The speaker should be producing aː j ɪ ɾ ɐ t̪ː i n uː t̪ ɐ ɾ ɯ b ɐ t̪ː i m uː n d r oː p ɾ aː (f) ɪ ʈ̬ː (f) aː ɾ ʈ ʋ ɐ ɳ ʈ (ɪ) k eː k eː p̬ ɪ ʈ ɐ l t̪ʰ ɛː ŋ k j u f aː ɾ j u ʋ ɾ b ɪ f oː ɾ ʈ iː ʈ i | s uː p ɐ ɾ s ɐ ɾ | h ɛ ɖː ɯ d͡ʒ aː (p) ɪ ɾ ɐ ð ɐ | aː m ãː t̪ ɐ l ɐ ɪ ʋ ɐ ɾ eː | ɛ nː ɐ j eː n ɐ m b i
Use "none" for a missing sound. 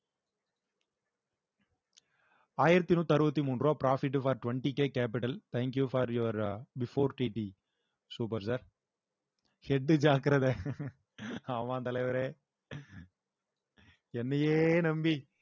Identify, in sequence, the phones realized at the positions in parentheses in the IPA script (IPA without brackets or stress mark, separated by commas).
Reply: f, f, i, k